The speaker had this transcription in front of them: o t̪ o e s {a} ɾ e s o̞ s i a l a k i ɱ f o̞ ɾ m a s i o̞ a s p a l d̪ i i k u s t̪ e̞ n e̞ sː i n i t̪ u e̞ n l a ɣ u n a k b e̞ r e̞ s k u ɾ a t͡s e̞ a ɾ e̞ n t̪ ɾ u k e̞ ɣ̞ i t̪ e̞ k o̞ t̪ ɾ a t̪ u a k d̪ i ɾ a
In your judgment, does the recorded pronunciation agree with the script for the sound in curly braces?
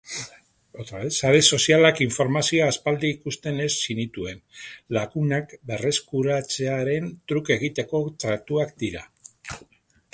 yes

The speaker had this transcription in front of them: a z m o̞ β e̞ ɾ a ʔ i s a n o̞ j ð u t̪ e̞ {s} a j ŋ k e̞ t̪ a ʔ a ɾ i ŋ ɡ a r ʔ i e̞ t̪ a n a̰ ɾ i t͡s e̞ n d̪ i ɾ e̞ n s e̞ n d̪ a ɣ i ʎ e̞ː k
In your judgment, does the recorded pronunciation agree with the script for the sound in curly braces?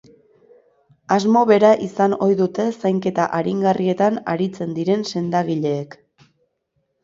yes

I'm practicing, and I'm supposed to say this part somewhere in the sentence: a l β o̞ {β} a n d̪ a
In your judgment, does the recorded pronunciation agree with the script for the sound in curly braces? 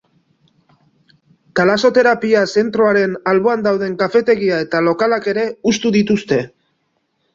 no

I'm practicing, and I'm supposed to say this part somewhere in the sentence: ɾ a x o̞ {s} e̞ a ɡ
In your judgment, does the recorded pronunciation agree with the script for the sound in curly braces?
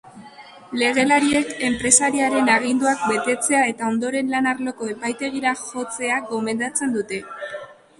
no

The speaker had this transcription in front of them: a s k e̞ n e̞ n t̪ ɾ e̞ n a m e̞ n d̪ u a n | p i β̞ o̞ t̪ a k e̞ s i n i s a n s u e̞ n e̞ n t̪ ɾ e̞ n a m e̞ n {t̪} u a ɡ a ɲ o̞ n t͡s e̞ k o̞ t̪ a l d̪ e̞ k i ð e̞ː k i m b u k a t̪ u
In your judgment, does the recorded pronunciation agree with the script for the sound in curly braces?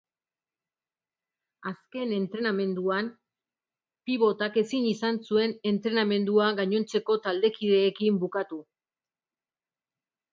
no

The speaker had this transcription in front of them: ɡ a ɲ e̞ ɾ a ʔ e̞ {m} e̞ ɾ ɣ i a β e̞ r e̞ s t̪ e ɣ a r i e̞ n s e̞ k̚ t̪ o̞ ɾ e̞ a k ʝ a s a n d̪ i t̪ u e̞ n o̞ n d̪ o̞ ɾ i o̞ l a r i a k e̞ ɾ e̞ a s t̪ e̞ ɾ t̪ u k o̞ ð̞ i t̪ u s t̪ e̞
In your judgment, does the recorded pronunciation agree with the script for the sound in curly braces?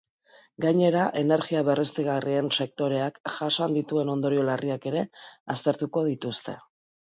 no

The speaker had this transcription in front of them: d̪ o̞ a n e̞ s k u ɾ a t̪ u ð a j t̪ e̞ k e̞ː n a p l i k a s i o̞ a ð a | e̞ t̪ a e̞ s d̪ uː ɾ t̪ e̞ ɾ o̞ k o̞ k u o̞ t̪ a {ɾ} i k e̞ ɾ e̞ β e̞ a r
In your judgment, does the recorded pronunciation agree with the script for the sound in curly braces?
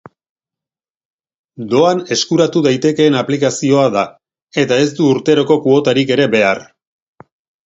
yes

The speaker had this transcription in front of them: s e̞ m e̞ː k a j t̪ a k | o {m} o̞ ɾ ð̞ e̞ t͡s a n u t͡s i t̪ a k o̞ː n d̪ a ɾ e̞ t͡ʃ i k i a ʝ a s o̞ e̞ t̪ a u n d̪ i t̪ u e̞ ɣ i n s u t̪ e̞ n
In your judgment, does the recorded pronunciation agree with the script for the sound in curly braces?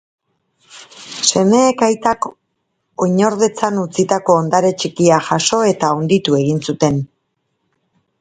no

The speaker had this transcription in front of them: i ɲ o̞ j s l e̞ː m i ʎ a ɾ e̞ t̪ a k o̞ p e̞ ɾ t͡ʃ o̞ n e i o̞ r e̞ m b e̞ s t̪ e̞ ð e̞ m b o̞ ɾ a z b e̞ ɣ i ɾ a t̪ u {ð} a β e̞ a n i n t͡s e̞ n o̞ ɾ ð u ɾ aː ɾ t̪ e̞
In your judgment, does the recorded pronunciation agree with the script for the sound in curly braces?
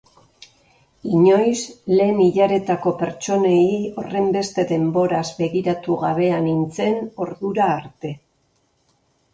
no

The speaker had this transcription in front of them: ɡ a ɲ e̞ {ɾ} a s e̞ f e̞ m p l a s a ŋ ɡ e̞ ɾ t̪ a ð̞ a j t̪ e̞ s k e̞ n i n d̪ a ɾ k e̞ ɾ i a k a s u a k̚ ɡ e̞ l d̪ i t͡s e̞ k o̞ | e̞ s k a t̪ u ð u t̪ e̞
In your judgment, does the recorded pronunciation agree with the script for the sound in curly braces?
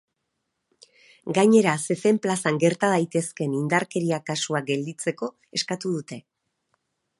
yes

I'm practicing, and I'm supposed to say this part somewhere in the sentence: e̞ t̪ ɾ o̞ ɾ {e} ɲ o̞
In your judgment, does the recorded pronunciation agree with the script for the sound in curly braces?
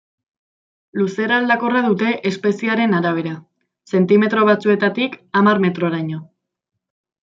no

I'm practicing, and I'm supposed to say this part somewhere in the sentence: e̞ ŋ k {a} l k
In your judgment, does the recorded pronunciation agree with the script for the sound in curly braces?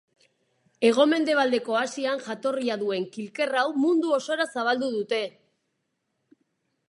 no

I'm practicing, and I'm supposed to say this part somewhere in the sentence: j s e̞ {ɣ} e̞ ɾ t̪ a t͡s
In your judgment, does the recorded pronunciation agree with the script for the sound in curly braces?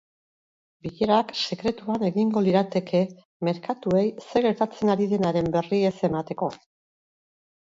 yes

